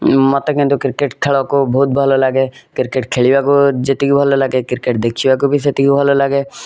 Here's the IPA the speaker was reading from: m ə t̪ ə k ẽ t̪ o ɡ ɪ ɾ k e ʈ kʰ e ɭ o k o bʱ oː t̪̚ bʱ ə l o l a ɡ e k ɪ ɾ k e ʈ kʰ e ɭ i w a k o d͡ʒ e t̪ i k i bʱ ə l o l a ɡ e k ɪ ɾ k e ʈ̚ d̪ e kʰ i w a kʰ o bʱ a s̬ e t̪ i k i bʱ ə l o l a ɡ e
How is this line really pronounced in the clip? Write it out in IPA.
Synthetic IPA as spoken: m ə t̪ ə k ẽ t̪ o k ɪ ɾ k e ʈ kʰ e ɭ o k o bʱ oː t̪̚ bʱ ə l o l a ɡ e k ɪ ɾ k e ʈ kʰ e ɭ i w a k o d͡ʒ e t̪ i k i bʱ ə l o l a ɡ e k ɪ ɾ k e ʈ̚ d̪ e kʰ i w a k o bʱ i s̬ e t̪ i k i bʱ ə l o l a ɡ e